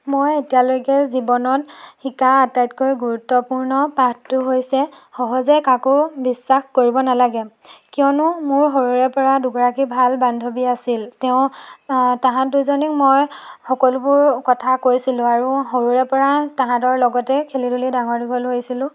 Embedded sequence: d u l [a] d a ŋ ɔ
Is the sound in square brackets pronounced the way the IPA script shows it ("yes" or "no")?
no